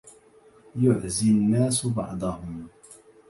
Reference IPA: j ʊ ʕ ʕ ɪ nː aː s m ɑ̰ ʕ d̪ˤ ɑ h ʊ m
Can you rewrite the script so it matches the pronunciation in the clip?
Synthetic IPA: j ʊ ʕ z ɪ nː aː s b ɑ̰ ʕ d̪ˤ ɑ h ʊ m